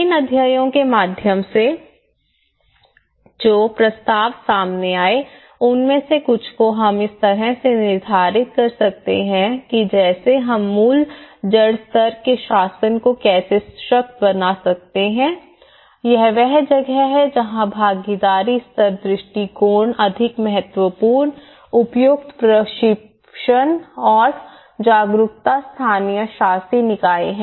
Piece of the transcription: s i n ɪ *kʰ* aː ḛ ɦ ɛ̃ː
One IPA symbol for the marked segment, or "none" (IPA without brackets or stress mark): k